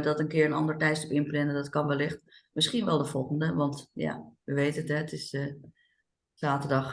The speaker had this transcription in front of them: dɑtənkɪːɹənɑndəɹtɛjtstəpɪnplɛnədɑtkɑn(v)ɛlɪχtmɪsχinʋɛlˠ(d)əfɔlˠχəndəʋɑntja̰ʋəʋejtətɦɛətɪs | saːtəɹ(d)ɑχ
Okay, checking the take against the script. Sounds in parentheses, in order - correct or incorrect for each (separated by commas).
incorrect, correct, correct